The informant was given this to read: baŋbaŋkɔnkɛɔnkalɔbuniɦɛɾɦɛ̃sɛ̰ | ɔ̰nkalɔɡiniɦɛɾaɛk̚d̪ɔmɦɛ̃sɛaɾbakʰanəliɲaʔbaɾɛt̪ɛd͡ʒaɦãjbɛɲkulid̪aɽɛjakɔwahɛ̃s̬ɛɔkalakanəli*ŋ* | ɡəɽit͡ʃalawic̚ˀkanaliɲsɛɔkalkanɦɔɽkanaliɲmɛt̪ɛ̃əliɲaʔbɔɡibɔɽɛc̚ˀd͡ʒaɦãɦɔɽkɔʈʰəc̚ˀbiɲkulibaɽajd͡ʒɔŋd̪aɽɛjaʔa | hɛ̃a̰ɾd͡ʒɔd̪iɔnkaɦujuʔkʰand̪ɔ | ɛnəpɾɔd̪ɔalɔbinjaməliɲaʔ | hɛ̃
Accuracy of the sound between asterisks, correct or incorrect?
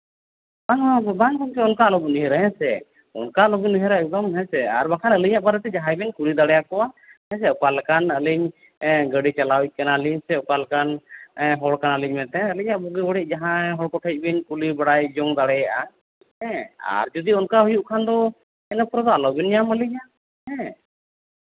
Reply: incorrect